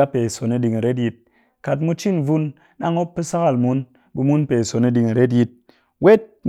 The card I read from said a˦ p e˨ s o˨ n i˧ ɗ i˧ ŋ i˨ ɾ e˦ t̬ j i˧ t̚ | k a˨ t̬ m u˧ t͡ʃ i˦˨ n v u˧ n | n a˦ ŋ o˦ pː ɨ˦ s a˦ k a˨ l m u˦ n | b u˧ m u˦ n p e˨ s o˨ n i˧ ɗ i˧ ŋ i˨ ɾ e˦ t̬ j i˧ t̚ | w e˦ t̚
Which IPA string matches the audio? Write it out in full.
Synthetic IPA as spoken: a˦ p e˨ s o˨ n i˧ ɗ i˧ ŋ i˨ ɾ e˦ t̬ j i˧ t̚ | k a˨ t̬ m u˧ t͡ʃ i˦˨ n v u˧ n | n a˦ ŋ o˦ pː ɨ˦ s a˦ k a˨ l m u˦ n | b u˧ m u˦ n p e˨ s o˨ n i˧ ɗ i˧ ŋ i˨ ɾ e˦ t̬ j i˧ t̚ | w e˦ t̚